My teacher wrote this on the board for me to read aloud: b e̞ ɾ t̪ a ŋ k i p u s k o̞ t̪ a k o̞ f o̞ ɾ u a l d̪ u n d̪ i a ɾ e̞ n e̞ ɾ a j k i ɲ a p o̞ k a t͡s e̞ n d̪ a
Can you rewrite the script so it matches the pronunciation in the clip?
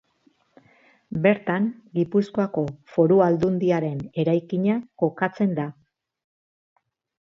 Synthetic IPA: b e̞ ɾ t̪ a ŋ ɡ i p u s k o̞ a k o̞ f o̞ ɾ u a l d̪ u n d̪ i a ɾ e̞ n e̞ ɾ a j k i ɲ a k o̞ k a t͡s e̞ n d̪ a